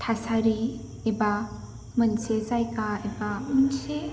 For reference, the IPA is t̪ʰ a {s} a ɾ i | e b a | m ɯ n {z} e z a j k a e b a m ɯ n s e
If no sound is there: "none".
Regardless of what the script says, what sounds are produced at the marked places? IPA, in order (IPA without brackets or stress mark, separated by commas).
s, s